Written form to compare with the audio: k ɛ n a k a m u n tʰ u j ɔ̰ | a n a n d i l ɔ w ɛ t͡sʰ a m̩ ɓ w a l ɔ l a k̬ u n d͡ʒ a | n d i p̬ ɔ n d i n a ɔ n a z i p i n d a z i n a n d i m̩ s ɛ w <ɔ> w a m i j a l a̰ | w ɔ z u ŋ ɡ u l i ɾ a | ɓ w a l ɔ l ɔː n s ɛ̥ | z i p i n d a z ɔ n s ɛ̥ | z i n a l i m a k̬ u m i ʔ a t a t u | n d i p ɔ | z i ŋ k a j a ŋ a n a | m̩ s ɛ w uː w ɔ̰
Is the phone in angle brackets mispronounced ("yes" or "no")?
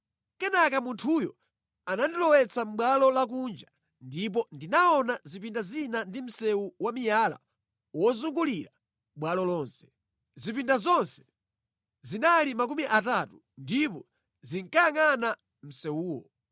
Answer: yes